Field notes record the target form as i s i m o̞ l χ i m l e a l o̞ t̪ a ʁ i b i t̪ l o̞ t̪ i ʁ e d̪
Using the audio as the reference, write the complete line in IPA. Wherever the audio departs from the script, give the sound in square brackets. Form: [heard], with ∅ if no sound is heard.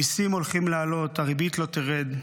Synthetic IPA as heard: i s i m o̞ l χ i m l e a l o̞ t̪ a ʁ i b i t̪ l o̞ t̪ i ʁ e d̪